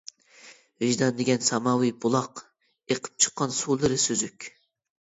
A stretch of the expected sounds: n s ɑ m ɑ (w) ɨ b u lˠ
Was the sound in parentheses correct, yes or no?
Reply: yes